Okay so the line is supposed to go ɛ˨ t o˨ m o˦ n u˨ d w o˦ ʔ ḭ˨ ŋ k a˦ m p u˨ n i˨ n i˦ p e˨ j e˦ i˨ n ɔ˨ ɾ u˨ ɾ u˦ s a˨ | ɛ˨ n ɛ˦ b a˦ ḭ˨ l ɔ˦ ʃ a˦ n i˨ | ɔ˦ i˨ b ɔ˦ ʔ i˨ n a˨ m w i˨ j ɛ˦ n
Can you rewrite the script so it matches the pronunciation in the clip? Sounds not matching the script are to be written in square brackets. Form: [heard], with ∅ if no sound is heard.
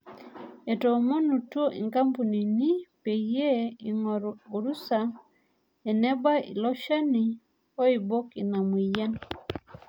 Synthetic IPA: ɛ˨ t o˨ m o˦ n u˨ [t] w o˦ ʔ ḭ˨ ŋ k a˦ m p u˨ n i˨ n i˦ p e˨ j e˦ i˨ [ŋ] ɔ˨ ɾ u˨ ɾ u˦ s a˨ | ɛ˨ n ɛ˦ b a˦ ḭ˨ l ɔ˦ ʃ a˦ n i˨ | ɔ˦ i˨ b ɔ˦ [k] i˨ n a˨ m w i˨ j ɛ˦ n

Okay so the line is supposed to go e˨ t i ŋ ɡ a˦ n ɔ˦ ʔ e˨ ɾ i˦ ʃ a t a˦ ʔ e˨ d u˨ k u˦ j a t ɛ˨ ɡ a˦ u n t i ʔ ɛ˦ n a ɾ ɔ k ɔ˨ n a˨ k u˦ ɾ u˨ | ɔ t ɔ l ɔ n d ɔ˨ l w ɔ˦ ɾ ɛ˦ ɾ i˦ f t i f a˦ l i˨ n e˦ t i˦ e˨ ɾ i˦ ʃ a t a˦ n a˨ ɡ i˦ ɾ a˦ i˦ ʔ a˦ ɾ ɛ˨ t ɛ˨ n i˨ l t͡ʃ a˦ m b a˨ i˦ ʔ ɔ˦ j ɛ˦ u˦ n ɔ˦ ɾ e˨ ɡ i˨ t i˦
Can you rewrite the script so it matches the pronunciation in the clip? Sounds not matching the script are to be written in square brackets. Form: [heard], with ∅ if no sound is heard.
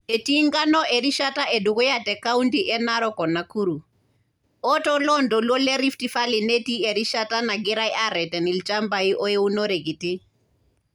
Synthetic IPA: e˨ t i ŋ ɡ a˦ n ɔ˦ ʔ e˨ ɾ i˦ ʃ a t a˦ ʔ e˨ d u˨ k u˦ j a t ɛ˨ [k] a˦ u n t i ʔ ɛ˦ n a ɾ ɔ k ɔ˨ n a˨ k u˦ ɾ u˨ | ɔ t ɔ l ɔ n d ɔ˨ l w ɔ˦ [l] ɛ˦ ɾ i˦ f t i f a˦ l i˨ n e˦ t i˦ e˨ ɾ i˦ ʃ a t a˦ n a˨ ɡ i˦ ɾ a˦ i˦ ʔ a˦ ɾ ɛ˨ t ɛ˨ n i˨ l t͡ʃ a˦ m b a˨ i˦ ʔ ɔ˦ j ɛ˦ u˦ n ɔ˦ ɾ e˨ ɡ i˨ t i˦

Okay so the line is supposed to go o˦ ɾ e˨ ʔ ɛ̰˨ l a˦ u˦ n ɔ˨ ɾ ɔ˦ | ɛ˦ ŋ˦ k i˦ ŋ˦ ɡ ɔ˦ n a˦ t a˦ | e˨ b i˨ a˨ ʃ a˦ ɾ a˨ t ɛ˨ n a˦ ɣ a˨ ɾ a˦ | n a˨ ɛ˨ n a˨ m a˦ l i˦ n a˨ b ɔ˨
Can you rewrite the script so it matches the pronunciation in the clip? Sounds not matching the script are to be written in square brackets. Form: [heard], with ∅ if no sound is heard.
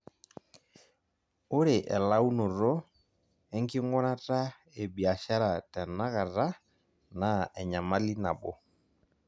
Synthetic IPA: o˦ ɾ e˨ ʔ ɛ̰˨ l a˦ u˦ n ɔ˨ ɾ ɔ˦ | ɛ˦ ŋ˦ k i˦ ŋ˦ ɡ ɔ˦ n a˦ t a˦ | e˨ b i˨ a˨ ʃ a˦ ɾ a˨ t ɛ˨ n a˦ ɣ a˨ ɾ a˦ | n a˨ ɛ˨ [ɲ] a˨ m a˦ l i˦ n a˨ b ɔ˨

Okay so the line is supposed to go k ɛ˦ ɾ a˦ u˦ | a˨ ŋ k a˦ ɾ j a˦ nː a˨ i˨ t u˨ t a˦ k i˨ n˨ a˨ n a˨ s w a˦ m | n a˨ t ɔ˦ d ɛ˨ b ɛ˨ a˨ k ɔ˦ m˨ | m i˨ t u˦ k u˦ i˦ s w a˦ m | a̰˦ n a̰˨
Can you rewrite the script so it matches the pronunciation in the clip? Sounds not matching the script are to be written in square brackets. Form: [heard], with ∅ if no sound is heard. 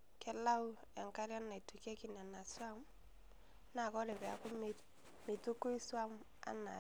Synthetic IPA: k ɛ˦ [l] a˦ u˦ | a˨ ŋ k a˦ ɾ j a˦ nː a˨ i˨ t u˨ [k] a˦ k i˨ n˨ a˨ n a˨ s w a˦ m | n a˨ [k] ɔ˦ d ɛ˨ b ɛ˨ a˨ k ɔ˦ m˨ | m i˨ t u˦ k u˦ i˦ s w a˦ m | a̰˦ n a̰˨

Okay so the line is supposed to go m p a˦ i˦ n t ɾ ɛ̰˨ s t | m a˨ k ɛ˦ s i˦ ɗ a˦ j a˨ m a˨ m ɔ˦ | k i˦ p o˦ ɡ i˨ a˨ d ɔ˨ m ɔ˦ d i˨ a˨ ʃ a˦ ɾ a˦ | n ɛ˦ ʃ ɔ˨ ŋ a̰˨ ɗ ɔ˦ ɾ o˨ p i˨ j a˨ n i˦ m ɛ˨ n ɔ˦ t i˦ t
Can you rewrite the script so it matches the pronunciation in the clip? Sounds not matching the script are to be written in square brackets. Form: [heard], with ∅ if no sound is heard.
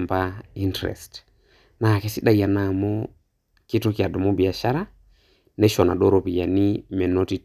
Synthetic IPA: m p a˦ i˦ n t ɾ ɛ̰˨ s t | [n] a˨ k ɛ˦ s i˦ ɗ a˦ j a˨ [n] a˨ m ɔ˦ | k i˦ [t] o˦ [k] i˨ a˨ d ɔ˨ m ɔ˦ [b] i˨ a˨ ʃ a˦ ɾ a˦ | n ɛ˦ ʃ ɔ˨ [n] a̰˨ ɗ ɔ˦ ɾ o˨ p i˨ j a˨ n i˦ m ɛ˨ n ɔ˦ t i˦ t

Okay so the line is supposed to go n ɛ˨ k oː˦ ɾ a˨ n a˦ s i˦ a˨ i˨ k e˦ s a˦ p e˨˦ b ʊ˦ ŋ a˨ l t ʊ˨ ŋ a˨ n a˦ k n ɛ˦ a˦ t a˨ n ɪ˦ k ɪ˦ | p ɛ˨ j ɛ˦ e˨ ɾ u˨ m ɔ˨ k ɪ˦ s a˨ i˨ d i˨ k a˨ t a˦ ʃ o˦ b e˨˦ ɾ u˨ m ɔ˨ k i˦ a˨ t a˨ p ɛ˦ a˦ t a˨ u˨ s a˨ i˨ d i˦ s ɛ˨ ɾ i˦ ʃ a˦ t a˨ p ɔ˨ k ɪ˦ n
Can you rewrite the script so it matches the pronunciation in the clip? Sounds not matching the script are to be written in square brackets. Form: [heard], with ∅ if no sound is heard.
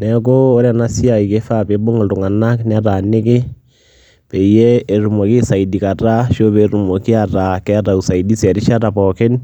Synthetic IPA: n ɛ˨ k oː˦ ɾ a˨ n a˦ s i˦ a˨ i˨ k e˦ [f] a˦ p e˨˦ b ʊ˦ ŋ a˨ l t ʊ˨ ŋ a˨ n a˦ k n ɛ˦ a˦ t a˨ n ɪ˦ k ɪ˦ | p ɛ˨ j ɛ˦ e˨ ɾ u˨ m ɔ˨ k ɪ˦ s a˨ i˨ d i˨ k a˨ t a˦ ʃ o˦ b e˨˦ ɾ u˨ m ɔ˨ k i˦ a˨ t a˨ [k] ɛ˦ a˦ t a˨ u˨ s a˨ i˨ d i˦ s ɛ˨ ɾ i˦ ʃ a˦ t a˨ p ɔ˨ k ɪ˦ n

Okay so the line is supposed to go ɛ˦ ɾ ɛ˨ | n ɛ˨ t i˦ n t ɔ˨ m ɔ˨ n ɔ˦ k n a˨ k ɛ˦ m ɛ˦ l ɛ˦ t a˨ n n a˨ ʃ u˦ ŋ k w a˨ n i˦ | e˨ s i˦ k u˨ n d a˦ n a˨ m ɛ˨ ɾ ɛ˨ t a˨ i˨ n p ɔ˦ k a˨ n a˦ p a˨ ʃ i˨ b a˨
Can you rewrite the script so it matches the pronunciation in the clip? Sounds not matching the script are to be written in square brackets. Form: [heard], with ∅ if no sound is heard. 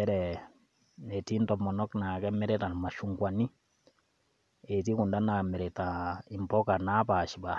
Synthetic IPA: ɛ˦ ɾ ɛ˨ | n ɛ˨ t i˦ n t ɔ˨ m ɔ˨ n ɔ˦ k n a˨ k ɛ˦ m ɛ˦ [ɾ] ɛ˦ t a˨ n [m] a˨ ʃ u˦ ŋ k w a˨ n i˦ | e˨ [t] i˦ k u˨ n d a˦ n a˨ m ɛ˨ ɾ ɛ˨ t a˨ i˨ [m] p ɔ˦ k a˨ n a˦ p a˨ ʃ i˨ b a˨

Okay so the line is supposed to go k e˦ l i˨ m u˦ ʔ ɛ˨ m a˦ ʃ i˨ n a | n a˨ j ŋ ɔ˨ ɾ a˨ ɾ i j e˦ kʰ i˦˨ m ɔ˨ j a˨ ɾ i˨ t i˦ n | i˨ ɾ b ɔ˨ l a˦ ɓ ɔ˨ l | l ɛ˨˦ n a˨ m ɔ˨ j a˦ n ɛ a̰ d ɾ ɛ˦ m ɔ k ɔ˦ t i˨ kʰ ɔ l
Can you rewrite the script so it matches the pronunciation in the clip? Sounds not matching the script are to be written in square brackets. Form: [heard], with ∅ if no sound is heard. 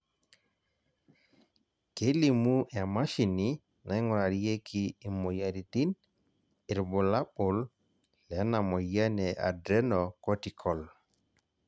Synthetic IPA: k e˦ l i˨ m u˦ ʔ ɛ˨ m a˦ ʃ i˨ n [i] | n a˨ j ŋ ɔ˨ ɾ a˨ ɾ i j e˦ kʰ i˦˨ m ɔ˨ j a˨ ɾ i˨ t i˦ n | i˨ ɾ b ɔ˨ l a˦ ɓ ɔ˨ l | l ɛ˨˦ n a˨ m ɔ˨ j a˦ n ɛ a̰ d ɾ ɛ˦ [n] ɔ k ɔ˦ t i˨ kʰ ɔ l

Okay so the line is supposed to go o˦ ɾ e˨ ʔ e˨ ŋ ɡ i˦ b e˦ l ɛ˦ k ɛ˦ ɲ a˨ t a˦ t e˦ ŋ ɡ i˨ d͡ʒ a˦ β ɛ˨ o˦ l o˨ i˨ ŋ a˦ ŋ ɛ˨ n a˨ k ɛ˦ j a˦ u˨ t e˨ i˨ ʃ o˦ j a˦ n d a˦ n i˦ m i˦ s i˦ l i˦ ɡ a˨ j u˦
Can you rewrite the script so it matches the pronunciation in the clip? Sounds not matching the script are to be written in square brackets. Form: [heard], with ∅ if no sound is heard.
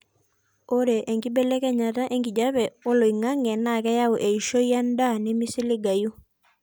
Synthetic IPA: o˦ ɾ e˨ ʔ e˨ ŋ ɡ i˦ b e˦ l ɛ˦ k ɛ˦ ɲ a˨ t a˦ [ʔ] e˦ ŋ ɡ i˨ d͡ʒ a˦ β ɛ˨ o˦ l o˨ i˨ ŋ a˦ ŋ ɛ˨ n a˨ k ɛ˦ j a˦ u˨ [ʔ] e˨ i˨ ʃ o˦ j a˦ n d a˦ n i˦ m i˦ s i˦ l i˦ ɡ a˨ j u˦

